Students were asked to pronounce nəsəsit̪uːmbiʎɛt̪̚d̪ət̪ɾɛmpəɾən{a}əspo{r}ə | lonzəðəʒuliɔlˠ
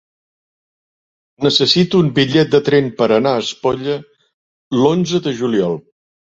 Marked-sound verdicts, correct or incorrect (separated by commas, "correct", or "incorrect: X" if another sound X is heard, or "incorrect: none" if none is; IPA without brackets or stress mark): correct, incorrect: ʎ